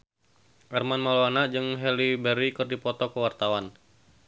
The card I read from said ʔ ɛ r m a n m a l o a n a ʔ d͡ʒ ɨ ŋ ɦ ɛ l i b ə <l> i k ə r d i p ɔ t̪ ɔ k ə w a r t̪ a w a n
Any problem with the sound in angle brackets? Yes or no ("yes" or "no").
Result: yes